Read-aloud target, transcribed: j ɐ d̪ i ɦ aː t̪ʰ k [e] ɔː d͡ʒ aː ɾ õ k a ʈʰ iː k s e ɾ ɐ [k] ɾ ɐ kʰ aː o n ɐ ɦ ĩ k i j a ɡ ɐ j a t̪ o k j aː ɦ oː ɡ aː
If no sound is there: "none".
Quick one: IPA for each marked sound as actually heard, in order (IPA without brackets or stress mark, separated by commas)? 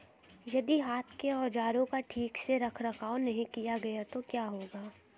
e, kʰ